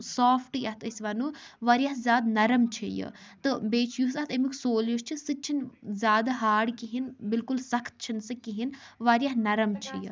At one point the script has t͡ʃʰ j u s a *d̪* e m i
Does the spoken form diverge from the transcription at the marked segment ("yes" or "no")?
yes